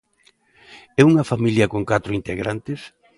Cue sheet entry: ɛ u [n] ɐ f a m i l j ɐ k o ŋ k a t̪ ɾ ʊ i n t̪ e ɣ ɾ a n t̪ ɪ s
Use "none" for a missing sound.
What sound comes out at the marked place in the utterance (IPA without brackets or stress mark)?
ŋ